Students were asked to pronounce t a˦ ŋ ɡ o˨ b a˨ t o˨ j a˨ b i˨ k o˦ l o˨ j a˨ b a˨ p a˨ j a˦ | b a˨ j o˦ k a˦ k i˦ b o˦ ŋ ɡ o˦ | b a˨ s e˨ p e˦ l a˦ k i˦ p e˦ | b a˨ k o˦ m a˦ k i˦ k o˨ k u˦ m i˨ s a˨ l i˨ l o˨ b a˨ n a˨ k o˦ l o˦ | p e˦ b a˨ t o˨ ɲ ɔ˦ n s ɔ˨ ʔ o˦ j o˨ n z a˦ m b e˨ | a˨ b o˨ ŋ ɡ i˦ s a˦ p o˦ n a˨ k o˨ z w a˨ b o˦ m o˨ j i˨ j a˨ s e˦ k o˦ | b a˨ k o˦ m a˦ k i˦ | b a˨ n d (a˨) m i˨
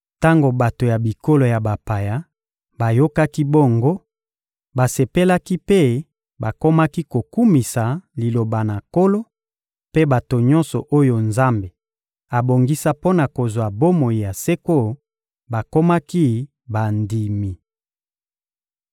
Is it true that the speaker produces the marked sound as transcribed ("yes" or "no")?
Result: no